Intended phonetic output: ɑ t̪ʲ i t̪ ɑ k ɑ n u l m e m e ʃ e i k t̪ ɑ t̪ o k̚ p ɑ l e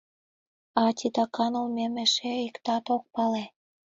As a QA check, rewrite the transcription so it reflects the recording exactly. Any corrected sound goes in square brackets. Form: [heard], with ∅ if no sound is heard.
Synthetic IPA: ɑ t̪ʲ i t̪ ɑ k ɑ n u l m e m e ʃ e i k t̪ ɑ t̪ o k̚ p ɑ l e